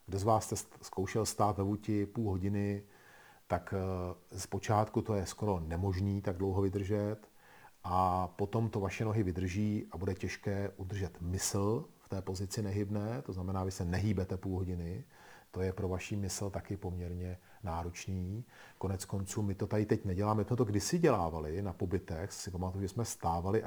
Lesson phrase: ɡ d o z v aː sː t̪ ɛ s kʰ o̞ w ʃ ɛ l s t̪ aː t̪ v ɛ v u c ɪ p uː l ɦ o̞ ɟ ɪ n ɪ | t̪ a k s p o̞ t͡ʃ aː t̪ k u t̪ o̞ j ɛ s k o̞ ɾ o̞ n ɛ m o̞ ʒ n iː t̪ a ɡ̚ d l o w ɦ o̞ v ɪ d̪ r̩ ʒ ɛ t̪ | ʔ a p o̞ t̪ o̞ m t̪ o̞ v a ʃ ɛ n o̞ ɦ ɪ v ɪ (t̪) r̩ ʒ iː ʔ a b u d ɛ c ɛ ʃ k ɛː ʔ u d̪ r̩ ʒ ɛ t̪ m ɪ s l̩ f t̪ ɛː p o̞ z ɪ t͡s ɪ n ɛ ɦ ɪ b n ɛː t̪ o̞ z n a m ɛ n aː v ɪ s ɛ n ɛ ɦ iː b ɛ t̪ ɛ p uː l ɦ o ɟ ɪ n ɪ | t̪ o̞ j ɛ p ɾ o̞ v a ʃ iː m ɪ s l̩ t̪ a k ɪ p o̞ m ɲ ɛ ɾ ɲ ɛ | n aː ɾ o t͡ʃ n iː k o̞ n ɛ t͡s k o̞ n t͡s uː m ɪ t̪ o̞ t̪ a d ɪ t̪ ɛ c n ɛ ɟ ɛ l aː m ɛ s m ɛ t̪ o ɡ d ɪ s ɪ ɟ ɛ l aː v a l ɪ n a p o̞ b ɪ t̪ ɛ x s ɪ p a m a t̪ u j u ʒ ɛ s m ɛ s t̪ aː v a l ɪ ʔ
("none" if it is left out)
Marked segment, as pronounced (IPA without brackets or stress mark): d̪